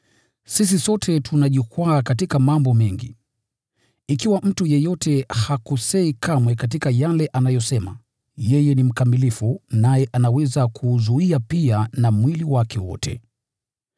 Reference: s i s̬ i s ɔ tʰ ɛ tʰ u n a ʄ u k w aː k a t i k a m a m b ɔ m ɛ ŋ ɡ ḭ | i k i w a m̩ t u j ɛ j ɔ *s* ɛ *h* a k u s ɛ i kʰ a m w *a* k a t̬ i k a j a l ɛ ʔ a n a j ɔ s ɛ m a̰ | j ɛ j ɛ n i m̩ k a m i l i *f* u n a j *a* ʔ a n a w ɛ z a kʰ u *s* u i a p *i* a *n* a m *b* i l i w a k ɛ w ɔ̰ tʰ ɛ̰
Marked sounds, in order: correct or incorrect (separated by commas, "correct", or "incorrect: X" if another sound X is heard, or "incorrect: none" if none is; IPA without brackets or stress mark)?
incorrect: t, correct, incorrect: ɛ, correct, incorrect: ɛ, incorrect: z, correct, correct, incorrect: w